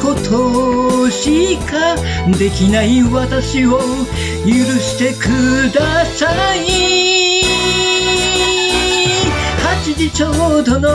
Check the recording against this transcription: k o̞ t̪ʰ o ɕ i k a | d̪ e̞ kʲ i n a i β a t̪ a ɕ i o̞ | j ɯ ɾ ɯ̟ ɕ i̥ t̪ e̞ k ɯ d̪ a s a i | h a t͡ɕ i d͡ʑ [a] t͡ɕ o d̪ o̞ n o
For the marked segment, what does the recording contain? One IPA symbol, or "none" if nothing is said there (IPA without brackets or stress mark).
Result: i